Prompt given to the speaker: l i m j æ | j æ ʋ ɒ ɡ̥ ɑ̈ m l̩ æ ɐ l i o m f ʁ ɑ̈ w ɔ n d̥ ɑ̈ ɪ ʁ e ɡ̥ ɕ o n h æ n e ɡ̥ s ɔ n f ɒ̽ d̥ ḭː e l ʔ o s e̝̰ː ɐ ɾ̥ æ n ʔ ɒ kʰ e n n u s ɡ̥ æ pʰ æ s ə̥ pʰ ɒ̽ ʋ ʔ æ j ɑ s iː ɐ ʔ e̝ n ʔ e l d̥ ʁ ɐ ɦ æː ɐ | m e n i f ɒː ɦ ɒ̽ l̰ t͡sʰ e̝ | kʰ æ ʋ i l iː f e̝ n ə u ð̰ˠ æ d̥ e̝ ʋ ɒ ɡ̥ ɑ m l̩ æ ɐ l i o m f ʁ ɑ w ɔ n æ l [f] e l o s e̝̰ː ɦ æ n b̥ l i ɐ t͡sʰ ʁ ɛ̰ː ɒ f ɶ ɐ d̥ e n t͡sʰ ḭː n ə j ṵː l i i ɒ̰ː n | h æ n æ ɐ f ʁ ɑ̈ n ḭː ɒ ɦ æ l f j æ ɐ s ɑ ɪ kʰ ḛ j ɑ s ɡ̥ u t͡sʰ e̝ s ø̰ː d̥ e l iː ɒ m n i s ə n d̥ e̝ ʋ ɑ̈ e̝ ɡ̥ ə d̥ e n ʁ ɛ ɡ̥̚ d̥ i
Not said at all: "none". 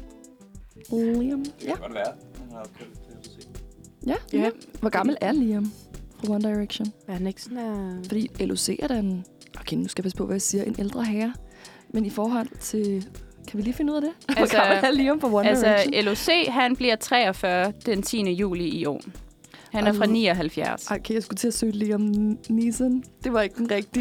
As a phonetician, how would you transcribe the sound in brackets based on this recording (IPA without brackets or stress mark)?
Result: s